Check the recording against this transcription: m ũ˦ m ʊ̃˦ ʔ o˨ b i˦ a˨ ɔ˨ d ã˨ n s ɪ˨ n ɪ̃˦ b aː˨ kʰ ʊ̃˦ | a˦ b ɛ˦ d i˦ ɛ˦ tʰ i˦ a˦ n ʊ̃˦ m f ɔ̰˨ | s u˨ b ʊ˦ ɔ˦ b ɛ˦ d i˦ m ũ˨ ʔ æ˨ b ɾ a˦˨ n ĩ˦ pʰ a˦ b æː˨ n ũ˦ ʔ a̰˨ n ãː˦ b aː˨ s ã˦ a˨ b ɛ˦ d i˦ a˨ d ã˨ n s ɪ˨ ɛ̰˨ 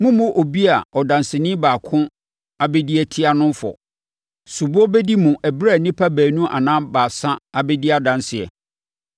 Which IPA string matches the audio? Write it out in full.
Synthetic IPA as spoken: m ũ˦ m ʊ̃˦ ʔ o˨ b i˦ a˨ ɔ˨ d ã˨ n s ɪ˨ n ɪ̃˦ b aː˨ kʰ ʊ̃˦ | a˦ b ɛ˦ d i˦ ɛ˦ tʰ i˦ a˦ n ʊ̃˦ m f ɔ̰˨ | s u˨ b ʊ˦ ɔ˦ b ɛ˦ d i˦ m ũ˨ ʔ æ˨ b ɾ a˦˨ n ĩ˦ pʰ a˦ b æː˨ n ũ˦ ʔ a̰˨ n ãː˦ b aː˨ s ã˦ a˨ b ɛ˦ d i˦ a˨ d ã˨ n s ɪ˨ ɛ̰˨

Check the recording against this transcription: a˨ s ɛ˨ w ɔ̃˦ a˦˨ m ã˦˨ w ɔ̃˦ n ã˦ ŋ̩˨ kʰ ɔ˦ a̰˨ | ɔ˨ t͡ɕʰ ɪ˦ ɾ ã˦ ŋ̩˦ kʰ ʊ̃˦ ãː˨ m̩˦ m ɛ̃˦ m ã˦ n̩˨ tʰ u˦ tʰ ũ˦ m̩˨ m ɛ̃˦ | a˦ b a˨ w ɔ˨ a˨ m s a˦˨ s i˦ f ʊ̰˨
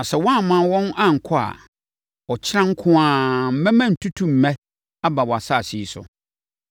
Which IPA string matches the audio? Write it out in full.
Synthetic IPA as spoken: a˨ s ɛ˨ w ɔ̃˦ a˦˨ m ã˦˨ w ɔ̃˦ n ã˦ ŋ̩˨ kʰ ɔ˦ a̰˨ | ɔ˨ t͡ɕʰ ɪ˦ ɾ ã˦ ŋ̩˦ kʰ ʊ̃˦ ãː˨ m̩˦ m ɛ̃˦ m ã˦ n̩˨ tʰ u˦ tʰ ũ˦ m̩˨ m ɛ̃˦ | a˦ b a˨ w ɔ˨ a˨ s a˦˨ s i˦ s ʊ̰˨

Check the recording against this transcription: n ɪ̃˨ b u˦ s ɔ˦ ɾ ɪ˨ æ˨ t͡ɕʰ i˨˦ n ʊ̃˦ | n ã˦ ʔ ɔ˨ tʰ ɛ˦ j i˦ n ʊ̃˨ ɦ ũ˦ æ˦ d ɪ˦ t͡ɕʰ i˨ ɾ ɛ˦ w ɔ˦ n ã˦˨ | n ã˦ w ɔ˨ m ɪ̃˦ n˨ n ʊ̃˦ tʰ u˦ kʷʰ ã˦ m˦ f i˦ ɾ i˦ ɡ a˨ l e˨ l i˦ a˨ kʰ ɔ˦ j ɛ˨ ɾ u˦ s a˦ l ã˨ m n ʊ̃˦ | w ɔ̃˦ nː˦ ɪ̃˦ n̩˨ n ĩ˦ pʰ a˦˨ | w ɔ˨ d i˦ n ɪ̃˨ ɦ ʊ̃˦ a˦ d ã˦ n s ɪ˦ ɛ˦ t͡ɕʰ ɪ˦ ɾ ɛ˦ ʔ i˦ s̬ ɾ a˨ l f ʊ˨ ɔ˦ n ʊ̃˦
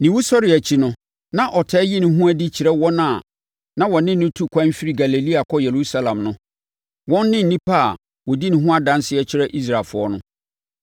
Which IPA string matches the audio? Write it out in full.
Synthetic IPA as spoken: n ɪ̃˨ w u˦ s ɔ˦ ɾ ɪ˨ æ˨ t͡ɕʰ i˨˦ n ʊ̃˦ | n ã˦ ʔ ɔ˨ tʰ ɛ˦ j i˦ n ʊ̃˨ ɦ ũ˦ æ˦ d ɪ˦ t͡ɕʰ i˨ ɾ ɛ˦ w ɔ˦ n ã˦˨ | n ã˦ w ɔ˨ n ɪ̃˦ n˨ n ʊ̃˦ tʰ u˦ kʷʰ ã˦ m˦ f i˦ ɾ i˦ ɡ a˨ l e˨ l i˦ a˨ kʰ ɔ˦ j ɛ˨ ɾ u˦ s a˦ l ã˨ m n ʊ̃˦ | w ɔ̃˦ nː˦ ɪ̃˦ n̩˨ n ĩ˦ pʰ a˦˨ | w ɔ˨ d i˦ n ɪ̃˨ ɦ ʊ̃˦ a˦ d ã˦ n s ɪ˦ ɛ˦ t͡ɕʰ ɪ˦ ɾ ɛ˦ ʔ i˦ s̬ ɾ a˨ l f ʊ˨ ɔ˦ n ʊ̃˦

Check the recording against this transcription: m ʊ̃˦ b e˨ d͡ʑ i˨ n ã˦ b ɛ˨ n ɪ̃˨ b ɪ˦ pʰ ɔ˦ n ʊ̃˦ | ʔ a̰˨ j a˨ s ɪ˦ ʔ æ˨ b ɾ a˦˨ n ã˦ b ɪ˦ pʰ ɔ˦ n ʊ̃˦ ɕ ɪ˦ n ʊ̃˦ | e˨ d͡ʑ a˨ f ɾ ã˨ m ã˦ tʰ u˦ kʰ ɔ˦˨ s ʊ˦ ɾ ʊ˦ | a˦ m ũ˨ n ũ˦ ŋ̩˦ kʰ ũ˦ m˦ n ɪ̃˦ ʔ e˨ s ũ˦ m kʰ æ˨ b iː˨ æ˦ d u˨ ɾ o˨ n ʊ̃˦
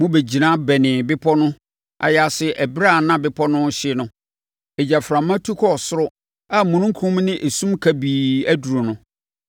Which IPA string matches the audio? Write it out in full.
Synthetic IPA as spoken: m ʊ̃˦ b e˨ d͡ʑ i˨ n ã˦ b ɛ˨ n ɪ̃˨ b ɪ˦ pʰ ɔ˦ n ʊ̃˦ | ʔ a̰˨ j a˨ s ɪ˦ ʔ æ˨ b ɾ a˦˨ n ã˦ b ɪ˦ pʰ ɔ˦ n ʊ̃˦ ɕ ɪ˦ n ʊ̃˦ | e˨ d͡ʑ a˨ f ɾ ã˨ m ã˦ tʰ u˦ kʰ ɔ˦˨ s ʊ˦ ɾ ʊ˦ | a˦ m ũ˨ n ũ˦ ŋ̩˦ kʰ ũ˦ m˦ n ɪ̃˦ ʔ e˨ s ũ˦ m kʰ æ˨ b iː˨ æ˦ d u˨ ɾ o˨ n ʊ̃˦

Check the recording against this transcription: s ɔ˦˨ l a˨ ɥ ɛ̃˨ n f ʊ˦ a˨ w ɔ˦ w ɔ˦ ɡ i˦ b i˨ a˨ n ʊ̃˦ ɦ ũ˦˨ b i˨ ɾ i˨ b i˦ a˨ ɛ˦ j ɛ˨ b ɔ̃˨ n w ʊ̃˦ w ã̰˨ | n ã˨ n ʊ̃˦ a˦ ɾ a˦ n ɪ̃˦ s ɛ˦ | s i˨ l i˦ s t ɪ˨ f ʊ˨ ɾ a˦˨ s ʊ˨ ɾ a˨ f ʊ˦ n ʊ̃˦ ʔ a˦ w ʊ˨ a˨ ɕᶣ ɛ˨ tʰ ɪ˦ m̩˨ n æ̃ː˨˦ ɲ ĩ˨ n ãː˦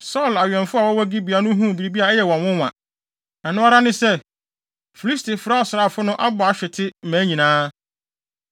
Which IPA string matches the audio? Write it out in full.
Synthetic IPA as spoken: s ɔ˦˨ l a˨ ɥ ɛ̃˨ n f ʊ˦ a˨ w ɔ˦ w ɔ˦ ɡ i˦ b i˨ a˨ n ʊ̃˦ ɦ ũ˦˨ b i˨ ɾ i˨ b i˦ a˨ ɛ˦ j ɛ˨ w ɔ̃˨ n w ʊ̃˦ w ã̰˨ | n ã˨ n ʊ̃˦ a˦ ɾ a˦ n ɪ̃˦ s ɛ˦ | f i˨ l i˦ s t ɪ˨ f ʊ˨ ɾ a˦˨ s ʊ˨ ɾ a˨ f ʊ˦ n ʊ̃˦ ʔ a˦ b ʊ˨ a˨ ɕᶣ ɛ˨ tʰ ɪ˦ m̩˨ m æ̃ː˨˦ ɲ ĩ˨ n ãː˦

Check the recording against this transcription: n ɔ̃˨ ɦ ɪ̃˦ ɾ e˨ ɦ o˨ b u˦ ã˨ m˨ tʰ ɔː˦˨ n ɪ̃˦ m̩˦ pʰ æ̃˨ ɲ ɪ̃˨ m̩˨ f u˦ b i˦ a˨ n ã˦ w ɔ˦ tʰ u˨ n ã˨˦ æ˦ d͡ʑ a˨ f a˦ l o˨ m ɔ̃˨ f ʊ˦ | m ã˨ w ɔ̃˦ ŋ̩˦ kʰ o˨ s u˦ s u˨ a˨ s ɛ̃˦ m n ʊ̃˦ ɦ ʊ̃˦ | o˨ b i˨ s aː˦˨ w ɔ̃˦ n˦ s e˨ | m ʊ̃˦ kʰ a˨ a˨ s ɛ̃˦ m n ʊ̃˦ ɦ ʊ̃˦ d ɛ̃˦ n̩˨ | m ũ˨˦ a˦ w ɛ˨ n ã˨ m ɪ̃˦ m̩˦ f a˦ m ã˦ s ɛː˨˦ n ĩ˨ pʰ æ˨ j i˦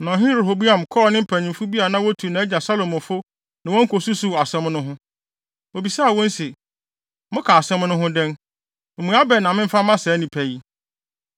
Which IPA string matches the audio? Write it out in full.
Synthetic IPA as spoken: n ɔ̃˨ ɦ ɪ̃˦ ɾ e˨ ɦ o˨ b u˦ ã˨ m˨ kʰ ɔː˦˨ n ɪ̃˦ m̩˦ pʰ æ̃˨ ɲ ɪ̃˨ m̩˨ f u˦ b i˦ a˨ n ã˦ w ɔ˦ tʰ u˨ n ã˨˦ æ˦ d͡ʑ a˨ s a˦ l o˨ m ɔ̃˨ f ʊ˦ | n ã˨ w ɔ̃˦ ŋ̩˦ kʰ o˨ s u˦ s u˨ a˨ s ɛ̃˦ m n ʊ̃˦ ɦ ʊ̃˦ | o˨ b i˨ s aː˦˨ w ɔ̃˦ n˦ s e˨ | m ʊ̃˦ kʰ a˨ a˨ s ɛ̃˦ m n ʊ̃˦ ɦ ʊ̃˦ d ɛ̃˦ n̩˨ | m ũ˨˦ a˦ b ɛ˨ n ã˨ m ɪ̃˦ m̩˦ f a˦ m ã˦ s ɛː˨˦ n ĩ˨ pʰ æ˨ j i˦

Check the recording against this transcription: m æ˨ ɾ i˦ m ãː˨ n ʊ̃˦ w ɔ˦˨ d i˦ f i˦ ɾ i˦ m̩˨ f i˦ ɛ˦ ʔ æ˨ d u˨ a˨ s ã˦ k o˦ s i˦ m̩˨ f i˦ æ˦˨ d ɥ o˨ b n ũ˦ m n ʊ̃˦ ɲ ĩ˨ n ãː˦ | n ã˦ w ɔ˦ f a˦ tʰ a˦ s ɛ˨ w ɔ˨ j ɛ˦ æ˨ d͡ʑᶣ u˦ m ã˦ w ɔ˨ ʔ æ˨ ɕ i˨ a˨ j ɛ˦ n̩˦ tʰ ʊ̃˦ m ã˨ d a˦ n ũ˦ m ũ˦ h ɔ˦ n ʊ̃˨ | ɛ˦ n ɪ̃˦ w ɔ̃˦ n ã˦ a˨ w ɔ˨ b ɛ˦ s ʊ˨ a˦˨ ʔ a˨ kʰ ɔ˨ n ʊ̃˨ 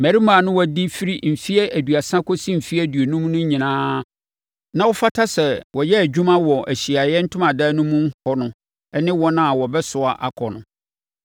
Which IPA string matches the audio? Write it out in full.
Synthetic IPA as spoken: m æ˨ ɾ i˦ m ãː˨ n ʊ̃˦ w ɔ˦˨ d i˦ f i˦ ɾ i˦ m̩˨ f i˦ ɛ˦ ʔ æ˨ d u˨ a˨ s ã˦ k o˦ s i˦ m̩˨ f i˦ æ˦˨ d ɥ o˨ n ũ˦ m n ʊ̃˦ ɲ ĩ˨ n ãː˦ | n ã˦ w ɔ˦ f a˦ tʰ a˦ s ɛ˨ w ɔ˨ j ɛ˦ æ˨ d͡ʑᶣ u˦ m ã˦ w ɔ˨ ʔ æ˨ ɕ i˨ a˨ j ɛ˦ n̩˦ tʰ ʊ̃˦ m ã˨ d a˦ n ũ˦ m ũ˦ h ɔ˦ n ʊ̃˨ | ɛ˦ n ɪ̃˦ w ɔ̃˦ n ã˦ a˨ w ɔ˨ b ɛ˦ s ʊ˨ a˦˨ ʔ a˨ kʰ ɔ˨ n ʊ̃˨

